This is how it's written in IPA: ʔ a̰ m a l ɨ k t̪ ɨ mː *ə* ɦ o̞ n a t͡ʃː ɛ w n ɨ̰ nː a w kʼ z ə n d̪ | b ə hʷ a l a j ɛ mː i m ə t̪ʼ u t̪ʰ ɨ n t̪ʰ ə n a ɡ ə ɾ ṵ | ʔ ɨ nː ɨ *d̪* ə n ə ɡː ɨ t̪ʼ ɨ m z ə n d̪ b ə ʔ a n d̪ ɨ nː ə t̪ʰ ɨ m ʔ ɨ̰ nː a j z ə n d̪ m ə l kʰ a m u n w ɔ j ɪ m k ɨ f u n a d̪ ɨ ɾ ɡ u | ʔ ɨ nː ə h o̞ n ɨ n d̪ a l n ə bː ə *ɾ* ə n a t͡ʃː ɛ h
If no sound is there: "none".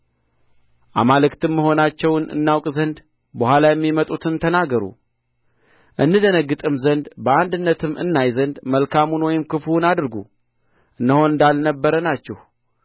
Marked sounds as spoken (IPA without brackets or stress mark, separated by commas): ə, d̪, ɾ